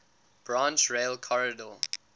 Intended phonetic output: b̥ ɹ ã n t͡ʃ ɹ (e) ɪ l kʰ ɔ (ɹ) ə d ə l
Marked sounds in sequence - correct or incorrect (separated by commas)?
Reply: correct, correct